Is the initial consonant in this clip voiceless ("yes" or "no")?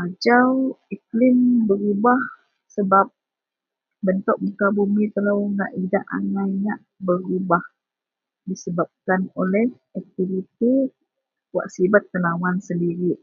no